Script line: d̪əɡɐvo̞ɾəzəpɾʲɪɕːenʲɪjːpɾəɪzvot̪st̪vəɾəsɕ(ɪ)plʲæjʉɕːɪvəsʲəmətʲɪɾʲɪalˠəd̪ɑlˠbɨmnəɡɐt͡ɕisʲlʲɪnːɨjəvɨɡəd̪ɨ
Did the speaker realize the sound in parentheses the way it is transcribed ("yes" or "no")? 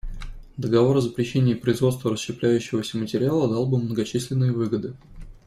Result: yes